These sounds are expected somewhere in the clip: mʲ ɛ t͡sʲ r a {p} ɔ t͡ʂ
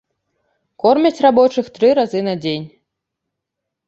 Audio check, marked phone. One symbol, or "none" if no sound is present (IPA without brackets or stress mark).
b